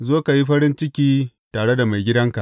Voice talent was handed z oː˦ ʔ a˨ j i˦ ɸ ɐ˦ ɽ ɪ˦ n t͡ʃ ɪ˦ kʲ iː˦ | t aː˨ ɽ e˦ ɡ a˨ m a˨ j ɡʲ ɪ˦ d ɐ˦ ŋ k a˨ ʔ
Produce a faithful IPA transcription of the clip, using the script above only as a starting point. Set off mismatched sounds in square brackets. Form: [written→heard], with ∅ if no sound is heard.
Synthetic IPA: z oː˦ [ʔ→k] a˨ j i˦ ɸ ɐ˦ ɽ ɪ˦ n t͡ʃ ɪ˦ kʲ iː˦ | t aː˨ ɽ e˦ [ɡ→d] a˨ m a˨ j ɡʲ ɪ˦ d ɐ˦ ŋ k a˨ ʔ